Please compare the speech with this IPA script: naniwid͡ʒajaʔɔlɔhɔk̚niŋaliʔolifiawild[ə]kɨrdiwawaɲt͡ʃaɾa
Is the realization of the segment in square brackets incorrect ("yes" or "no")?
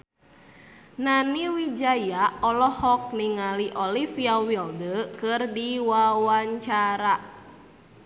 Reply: no